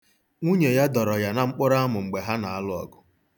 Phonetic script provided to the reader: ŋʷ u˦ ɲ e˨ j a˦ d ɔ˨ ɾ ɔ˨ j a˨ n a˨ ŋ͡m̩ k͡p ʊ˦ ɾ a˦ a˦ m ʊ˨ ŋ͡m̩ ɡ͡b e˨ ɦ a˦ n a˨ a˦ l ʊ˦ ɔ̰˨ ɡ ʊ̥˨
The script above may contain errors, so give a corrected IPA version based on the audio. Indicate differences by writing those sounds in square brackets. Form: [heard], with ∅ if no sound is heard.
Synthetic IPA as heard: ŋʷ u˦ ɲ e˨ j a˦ d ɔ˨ ɾ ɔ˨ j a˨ n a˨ ŋ͡m̩ k͡p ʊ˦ ɾ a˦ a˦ m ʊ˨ ŋ͡m̩ ɡ͡b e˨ ɦ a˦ n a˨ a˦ l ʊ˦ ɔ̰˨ ɡ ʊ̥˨